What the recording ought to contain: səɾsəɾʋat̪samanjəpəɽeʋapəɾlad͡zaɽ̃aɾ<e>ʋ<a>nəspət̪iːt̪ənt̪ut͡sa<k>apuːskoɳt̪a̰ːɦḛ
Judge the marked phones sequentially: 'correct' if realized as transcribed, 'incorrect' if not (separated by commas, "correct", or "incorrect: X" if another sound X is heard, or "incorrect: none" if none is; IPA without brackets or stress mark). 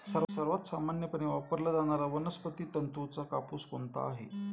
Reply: incorrect: a, incorrect: ə, correct